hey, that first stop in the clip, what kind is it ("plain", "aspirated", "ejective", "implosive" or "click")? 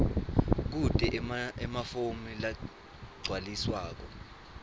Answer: plain